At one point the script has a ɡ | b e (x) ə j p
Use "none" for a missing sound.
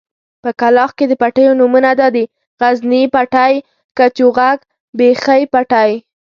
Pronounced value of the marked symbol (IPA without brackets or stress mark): x